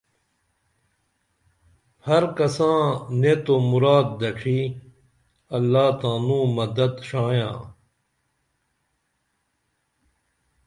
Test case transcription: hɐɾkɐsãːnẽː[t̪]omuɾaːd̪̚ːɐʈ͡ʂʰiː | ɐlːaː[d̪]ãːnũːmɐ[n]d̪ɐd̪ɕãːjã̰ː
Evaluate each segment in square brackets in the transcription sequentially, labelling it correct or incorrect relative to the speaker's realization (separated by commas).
correct, incorrect, incorrect